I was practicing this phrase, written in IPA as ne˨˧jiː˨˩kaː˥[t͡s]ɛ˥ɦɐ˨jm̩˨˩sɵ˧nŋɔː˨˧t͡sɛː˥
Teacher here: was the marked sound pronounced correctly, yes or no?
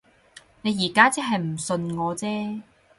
yes